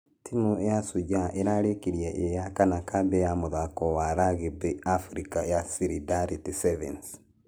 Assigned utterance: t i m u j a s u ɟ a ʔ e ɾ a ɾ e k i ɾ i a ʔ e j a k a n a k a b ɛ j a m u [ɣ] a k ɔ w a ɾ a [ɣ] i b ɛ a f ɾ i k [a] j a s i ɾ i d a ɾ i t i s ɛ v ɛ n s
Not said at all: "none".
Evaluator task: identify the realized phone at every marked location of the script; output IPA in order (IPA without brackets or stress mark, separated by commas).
ð, ɣ, a